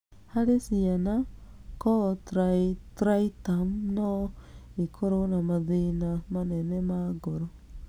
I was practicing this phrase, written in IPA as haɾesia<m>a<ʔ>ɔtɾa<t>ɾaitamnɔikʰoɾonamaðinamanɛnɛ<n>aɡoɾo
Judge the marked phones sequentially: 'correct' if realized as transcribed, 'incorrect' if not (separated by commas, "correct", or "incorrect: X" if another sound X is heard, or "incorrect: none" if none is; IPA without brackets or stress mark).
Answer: incorrect: n, incorrect: k, correct, incorrect: m